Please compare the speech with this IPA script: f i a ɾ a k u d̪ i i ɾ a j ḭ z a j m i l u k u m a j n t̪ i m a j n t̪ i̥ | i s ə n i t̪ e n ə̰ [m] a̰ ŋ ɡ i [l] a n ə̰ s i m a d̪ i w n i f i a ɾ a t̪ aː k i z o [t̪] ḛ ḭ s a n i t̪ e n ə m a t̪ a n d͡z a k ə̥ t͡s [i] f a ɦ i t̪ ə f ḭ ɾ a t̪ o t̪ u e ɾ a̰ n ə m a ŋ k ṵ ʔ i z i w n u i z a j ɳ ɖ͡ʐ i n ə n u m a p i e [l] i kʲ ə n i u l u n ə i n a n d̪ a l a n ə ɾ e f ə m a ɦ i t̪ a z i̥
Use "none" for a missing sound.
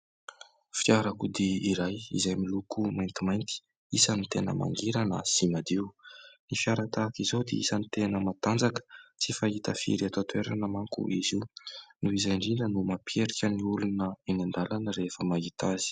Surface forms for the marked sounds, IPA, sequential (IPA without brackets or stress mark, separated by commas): m, ɾ, d̪, i, ɾ